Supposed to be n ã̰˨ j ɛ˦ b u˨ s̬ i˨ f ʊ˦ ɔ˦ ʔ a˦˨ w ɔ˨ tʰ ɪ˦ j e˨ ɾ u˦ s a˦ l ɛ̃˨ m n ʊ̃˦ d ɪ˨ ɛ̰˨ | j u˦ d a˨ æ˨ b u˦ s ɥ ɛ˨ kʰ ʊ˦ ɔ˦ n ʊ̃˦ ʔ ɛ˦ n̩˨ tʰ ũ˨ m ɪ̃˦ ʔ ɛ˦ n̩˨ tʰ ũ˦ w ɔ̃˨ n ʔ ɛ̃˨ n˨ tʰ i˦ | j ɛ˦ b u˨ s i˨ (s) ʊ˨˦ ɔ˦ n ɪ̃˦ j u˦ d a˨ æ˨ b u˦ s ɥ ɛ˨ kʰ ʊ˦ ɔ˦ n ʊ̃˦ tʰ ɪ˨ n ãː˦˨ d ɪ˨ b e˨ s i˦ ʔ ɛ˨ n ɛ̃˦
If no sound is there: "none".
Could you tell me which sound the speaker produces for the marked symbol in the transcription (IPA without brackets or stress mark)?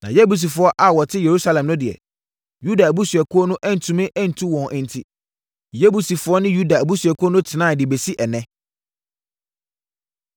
f